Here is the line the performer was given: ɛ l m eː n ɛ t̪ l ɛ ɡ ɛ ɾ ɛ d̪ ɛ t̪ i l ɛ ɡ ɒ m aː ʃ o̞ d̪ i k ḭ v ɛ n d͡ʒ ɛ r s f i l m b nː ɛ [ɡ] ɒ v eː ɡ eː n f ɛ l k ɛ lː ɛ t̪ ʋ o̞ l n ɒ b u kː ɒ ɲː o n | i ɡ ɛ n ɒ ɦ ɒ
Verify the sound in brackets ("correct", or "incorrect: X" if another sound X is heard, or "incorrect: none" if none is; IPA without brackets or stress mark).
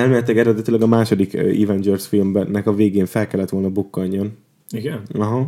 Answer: incorrect: k